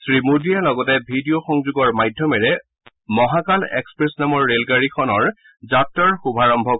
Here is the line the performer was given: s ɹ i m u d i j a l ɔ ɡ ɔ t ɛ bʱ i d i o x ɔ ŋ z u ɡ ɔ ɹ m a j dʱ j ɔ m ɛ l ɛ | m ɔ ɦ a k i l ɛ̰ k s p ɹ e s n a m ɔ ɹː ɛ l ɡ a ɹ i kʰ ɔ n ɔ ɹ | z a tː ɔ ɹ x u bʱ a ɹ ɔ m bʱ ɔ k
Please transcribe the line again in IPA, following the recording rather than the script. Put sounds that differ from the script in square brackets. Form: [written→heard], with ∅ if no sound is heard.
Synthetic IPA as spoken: s ɹ i m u d i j a l ɔ ɡ ɔ t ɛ bʱ i d i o x ɔ ŋ z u ɡ ɔ ɹ m a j dʱ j ɔ m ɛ [l→ɹ] ɛ | m ɔ ɦ a k [i→a] l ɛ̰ k s p ɹ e s n a m ɔ ɹː [ɛ→e] l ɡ a ɹ i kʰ ɔ n ɔ ɹ | z a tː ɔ ɹ x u bʱ a ɹ ɔ m bʱ ɔ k